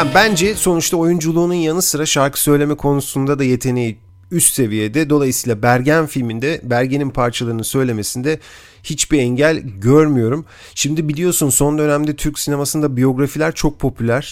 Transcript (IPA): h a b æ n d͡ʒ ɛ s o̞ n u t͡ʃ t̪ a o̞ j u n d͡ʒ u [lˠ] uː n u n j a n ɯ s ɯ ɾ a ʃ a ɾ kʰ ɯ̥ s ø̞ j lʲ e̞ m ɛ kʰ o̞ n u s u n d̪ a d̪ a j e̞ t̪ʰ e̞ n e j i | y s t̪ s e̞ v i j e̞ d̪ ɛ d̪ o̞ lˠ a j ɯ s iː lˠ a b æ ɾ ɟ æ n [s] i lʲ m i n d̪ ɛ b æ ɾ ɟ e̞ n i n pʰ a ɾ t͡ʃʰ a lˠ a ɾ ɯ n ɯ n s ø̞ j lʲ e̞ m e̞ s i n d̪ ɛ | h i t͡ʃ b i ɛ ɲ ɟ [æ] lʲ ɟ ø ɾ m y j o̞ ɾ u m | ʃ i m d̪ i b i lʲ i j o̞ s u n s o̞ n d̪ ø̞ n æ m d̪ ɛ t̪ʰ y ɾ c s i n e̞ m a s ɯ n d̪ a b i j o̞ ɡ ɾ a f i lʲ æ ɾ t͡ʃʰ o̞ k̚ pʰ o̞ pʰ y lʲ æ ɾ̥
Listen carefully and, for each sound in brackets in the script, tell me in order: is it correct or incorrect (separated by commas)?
correct, incorrect, correct